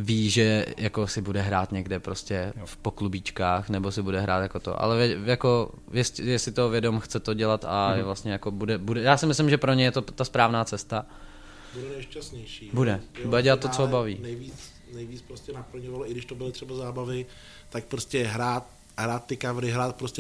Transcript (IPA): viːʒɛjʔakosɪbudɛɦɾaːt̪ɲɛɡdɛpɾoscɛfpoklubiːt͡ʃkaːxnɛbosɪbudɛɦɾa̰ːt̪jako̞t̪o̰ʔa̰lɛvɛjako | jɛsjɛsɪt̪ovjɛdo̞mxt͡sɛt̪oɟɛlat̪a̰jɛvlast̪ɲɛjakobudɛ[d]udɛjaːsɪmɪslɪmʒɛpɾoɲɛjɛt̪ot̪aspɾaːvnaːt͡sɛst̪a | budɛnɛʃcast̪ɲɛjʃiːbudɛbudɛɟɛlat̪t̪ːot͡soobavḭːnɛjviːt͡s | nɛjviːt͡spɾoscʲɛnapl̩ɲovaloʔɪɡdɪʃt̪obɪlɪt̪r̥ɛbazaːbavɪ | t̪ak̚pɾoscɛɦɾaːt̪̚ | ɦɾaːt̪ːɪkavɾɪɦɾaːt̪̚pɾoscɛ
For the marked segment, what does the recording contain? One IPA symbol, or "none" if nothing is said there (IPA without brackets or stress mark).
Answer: b